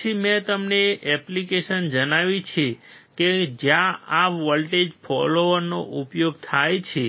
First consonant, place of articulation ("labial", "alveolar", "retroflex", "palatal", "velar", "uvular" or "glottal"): labial